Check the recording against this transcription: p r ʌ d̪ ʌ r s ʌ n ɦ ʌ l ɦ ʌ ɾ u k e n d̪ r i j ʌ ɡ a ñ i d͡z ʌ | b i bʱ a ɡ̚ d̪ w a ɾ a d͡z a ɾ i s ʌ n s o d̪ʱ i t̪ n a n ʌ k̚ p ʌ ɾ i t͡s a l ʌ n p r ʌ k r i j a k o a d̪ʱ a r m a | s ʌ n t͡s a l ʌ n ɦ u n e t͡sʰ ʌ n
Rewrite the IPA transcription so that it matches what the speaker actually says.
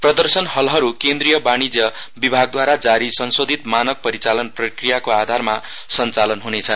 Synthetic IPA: p r ʌ d̪ ʌ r s ʌ n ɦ ʌ l ɦ ʌ ɾ u k e n d̪ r i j ʌ b a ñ i d͡z ʌ | b i bʱ a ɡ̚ d̪ w a ɾ a d͡z a ɾ i s ʌ n s o d̪ʱ i t̪ m a n ʌ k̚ p ʌ ɾ i t͡s a l ʌ n p r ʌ k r i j a k o a d̪ʱ a r m a | s ʌ n t͡s a l ʌ n ɦ u n e t͡sʰ ʌ n